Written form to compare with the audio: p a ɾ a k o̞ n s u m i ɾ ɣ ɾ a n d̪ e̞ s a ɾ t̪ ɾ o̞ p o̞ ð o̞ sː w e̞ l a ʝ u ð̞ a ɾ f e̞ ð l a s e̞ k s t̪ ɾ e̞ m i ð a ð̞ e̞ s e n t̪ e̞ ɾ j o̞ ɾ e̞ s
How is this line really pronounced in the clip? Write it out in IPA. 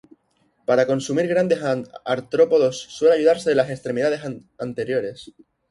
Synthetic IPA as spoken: p a ɾ a k o̞ n s u m i ɾ ɣ ɾ a n d̪ e̞ s a ɾ t̪ ɾ o̞ p o̞ ð o̞ sː w e̞ l a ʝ u ð̞ a ɾ s e̞ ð l a s e̞ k s t̪ ɾ e̞ m i ð a ð̞ e̞ s a n t̪ e̞ ɾ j o̞ ɾ e̞ s